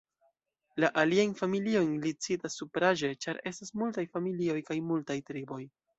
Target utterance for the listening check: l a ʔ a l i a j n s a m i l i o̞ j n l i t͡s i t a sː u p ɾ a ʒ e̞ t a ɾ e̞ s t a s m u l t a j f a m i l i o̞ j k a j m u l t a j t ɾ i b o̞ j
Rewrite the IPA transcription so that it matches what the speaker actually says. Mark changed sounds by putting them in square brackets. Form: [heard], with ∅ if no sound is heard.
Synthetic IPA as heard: l a ʔ a l i a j n [f] a m i l i o̞ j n l i t͡s i t a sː u p ɾ a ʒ e̞ [t͡ʃ] a ɾ e̞ s t a s m u l t a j f a m i l i o̞ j k a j m u l t a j t ɾ i b o̞ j